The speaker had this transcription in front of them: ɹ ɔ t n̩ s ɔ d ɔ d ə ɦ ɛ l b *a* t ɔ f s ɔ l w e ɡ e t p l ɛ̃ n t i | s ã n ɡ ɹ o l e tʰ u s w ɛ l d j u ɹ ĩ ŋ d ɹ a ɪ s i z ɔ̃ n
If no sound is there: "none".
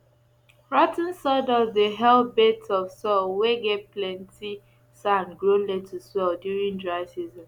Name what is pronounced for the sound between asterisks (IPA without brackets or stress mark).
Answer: e